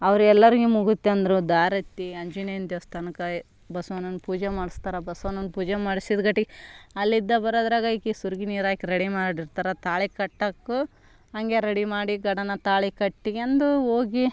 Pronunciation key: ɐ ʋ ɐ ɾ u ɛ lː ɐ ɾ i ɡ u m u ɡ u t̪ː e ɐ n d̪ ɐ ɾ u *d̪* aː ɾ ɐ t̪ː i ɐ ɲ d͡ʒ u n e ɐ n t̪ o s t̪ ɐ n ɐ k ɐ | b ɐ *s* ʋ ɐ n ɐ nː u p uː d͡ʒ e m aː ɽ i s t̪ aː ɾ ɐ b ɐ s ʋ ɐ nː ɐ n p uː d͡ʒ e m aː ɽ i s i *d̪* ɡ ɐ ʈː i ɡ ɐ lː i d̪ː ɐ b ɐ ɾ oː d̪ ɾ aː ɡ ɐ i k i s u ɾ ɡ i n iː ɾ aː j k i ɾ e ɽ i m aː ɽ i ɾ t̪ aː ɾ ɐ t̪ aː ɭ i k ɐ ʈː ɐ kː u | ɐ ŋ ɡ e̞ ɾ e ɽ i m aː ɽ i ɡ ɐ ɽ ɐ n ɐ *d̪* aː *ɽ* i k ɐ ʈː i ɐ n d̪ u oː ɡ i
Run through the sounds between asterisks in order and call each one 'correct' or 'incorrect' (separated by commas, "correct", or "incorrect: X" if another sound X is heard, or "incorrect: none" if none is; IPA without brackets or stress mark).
correct, correct, correct, incorrect: t̪, incorrect: ɭ